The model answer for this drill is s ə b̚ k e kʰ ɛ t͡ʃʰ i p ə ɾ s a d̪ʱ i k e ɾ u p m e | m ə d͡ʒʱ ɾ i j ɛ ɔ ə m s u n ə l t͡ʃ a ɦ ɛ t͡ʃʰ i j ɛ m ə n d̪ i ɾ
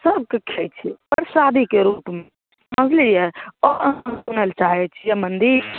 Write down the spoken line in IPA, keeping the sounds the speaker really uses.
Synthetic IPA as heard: s ə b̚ k e kʰ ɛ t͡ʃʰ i p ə ɾ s a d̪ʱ i k e ɾ u p m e | m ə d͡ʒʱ l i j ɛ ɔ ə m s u n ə l t͡ʃ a ɦ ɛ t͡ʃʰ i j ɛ m ə n d̪ i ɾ